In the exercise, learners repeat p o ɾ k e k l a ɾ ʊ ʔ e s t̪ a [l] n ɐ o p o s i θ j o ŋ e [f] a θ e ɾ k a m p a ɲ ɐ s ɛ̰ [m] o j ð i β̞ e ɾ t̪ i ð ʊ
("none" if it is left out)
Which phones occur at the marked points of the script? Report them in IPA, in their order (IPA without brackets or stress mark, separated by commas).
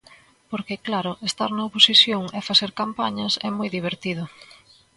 ɾ, f, m